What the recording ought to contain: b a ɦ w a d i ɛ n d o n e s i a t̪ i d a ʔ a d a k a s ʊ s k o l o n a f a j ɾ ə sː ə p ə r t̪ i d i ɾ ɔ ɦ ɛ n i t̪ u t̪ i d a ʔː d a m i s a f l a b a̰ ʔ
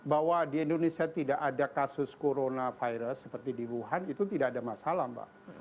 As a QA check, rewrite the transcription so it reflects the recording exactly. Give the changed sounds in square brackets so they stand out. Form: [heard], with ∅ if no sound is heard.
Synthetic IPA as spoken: b a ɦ w a d i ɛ n d o n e s i a t̪ i d a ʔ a d a k a s ʊ s k o [ɾ] o n a f a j ɾ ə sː ə p ə r t̪ i d i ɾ [u] ɦ [a] n i t̪ u t̪ i d a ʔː d a m [a] s a [∅] l a b a̰ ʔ